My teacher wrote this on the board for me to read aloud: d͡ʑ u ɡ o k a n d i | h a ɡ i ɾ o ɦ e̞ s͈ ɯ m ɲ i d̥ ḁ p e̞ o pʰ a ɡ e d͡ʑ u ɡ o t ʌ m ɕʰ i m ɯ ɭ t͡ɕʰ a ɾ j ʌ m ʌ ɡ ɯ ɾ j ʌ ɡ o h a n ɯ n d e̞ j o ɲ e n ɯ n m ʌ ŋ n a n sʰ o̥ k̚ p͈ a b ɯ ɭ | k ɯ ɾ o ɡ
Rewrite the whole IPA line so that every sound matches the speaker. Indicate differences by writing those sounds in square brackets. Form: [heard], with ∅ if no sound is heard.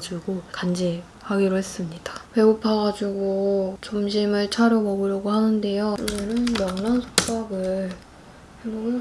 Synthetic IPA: d͡ʑ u ɡ o k a n [d͡ʑ] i | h a ɡ i ɾ o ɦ e̞ s͈ ɯ m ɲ i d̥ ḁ p e̞ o pʰ a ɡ [a] d͡ʑ u ɡ o [t͡ɕ] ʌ m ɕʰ i m ɯ ɭ t͡ɕʰ a ɾ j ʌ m ʌ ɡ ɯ ɾ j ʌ ɡ o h a n ɯ n d e̞ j o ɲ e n ɯ n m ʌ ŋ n a n sʰ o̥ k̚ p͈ a [ɡ] ɯ ɭ | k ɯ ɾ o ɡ